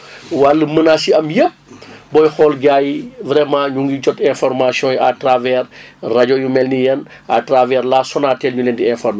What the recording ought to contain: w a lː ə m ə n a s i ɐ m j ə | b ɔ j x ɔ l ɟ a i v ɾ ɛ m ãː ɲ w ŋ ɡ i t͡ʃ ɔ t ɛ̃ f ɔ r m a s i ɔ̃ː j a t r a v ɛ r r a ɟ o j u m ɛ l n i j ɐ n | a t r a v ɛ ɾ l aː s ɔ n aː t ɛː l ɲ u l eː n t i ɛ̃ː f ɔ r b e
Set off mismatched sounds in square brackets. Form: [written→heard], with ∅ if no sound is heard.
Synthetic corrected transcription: w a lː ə m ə n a s i ɐ m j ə | b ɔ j x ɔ l [ɟ→ɡ] a [i→j] v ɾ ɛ m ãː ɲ [w→u] ŋ ɡ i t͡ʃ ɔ t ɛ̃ f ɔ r m a s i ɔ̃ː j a t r a v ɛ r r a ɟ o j u m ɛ l n i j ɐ n | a t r a v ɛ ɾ l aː s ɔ n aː t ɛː l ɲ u l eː n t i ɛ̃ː f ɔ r [b→m] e